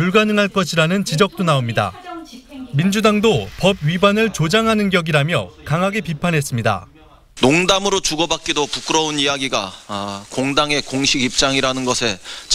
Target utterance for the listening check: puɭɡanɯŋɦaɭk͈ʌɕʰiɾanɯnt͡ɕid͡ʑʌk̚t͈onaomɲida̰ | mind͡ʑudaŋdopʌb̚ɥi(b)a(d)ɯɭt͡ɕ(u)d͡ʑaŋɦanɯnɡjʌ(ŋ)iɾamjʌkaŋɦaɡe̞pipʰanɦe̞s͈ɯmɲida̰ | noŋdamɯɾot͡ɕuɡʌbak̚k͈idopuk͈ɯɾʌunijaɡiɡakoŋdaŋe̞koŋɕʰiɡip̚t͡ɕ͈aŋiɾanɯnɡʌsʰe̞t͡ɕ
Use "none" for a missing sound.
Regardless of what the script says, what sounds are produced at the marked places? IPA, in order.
b, n, o, ɡ

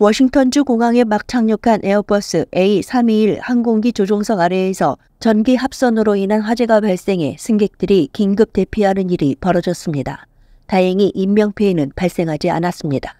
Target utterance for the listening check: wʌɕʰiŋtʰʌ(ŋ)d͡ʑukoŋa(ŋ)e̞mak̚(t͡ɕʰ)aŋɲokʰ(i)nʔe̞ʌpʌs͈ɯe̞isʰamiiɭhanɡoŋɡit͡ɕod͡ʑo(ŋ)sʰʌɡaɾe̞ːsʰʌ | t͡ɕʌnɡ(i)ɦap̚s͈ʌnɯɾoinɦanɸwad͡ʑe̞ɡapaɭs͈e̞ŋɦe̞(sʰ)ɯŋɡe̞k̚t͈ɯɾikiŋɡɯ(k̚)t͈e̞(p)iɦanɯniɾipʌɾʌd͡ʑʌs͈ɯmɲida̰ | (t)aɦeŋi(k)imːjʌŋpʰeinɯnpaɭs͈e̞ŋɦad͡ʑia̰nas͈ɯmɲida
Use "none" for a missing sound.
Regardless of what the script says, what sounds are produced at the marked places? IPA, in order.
n, ŋ, t͡ɕʰ, a, ŋ, i, sʰ, p̚, pʰ, t, ʔ

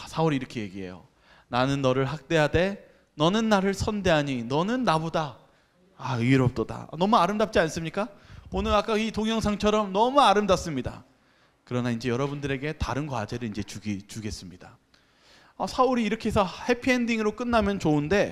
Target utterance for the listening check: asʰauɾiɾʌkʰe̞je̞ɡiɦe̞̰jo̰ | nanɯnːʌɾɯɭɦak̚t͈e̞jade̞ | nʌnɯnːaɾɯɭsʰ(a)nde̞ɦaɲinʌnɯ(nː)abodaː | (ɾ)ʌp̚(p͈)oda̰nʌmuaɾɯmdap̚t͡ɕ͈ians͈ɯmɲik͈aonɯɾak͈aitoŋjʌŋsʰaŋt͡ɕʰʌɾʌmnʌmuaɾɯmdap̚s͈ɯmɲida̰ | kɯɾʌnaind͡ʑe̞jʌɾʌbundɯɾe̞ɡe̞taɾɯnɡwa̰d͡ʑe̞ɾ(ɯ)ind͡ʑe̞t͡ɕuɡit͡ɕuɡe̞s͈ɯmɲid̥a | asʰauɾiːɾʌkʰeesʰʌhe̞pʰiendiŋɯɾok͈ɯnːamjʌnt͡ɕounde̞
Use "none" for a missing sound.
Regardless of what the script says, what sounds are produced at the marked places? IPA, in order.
ʌ, nː, ɾ, t͈, ɯ

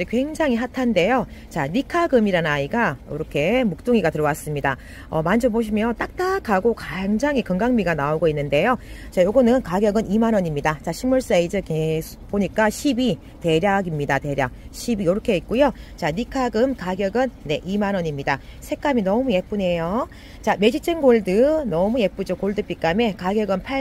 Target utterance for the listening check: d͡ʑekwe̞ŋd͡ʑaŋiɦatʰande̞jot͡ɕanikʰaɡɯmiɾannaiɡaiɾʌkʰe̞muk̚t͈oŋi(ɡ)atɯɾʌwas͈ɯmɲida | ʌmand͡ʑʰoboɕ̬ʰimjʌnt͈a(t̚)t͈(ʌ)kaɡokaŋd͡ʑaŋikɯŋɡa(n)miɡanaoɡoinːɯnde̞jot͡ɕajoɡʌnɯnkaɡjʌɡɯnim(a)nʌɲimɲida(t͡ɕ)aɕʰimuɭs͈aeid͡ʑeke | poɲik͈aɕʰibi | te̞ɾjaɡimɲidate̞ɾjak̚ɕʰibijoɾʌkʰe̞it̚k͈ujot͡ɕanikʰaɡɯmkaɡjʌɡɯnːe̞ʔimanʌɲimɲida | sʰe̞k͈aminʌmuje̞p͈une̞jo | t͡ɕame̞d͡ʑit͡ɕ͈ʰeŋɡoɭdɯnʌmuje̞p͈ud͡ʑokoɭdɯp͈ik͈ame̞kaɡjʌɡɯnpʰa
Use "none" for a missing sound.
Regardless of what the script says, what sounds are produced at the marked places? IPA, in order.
ɡ, k̚, a, ŋ, a, t͡ɕ

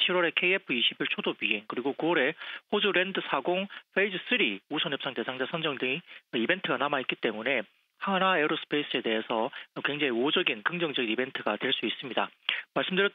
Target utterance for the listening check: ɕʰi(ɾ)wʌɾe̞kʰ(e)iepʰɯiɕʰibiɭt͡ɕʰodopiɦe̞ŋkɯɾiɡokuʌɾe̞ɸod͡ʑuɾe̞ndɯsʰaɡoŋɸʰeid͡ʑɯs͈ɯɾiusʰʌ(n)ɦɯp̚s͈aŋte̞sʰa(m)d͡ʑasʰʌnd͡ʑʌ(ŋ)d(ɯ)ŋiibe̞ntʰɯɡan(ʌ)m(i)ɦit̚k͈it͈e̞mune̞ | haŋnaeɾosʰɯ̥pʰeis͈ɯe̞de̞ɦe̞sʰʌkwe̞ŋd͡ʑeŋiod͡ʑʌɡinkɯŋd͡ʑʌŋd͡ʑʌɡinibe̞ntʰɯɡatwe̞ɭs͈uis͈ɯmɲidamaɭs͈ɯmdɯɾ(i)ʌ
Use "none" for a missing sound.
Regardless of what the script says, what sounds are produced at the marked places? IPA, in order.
ɾ, e, n, ŋ, ŋ, ɯ, a, a, j

